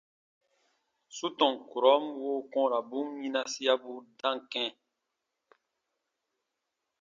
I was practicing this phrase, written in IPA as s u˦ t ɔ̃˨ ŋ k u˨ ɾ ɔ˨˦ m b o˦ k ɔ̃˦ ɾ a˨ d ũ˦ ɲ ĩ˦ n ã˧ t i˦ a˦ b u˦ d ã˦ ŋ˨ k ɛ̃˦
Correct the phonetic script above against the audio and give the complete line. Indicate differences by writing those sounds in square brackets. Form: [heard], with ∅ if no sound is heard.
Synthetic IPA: s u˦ t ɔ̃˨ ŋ k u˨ ɾ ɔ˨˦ m [w] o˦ k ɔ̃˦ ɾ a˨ [b] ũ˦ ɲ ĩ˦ n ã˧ [s] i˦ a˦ b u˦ d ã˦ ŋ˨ k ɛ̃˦